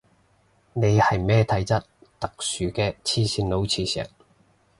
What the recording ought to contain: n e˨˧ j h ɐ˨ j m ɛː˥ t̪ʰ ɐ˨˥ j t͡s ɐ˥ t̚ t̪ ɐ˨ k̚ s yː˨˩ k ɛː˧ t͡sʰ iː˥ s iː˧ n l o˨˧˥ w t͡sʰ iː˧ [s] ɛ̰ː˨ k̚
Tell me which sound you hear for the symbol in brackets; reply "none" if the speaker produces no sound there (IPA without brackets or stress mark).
s